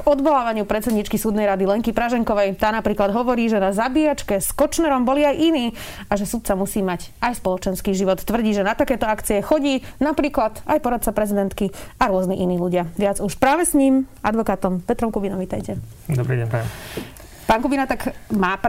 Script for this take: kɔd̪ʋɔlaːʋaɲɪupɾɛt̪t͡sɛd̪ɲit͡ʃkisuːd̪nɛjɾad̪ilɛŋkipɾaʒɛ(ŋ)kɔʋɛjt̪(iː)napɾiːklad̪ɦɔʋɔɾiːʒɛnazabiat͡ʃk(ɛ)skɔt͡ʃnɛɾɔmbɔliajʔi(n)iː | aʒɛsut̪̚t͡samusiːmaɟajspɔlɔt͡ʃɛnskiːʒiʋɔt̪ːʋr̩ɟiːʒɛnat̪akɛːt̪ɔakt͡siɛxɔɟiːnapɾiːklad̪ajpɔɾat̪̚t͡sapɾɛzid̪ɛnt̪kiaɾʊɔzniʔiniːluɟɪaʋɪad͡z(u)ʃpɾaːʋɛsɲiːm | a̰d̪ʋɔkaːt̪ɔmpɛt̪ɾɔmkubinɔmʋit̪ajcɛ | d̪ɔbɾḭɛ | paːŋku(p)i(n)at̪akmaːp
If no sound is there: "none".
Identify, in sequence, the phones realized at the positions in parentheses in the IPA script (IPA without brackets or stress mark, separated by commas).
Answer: ŋ, aː, ɛ, n, u, b, n